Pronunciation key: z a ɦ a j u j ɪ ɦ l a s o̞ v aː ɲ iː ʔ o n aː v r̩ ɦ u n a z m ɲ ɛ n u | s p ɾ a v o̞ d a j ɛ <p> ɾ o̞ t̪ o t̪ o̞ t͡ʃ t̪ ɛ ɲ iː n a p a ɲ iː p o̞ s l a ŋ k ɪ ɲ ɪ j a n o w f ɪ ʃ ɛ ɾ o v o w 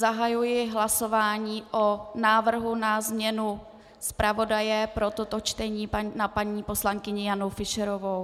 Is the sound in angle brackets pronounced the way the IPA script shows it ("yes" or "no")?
yes